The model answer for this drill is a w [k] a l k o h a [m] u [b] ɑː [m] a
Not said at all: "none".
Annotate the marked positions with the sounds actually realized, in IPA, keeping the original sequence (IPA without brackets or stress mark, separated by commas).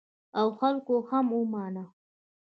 x, m, m, n